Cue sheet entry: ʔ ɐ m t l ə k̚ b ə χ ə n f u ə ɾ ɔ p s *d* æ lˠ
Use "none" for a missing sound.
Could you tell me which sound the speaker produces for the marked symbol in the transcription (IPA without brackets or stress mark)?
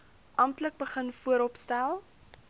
t